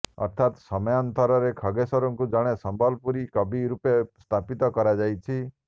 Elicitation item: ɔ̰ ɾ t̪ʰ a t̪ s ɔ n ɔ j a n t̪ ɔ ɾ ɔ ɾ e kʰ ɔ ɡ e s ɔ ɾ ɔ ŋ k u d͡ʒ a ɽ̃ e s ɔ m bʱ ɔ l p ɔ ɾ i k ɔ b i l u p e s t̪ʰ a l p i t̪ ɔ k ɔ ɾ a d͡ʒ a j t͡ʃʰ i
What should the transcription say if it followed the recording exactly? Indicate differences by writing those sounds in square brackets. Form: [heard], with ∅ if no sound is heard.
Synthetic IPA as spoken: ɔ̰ ɾ t̪ʰ a t̪ s ɔ [m] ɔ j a n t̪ ɔ ɾ ɔ ɾ e kʰ ɔ ɡ e s ɔ ɾ ɔ ŋ k u d͡ʒ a ɽ̃ e s ɔ m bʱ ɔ l p [u] ɾ i k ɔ b i [ɾ] u p e s t̪ʰ a [∅] p i t̪ ɔ k ɔ ɾ a d͡ʒ a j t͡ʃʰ i